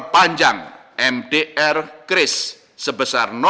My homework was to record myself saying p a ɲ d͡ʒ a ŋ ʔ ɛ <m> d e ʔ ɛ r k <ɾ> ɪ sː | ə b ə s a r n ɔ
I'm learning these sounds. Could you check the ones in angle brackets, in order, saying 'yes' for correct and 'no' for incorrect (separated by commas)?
yes, yes